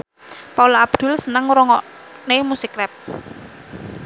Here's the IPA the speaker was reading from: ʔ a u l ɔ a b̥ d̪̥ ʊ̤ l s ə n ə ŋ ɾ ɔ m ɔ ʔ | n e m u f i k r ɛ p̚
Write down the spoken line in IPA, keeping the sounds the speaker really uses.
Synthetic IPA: p a u l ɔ a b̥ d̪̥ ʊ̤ l s ə n ə ŋ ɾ ɔ ŋ ɔ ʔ | n e m u s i k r ɛ p̚